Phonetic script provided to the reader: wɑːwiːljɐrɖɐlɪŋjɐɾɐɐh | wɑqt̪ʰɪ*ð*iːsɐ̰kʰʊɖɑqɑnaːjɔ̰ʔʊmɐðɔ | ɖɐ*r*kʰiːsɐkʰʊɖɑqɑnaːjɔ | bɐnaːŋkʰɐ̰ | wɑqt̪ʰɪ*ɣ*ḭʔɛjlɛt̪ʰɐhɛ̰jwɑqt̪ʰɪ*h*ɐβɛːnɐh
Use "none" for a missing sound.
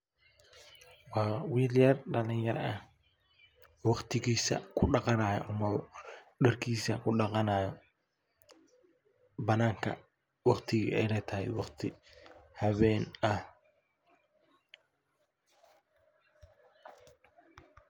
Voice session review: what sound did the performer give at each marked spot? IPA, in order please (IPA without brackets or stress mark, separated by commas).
ɣ, r, ɣ, h